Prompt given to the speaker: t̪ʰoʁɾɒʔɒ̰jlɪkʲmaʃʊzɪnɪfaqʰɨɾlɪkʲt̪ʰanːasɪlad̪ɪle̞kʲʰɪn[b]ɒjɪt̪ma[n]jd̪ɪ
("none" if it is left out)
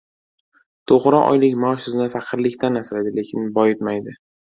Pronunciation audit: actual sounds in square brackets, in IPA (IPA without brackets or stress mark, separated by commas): b, none